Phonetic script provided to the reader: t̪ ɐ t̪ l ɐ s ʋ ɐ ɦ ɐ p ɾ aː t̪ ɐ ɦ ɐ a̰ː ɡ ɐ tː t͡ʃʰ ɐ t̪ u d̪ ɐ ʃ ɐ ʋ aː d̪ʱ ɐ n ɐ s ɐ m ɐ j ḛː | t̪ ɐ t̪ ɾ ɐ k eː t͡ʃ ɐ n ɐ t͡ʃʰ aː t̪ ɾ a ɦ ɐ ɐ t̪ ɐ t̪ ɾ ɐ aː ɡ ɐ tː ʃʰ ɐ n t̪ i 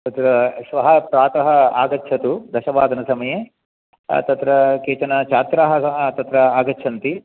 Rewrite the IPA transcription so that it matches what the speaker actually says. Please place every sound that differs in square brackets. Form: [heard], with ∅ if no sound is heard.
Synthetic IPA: t̪ ɐ t̪ [ɾ] ɐ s ʋ ɐ ɦ ɐ p ɾ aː t̪ ɐ ɦ ɐ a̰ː ɡ ɐ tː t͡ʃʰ ɐ t̪ u d̪ ɐ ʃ ɐ ʋ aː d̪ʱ ɐ n ɐ s ɐ m ɐ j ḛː | t̪ ɐ t̪ ɾ ɐ k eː t͡ʃ ɐ n ɐ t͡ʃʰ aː t̪ ɾ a ɦ ɐ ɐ t̪ ɐ t̪ ɾ ɐ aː ɡ ɐ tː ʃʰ ɐ n t̪ i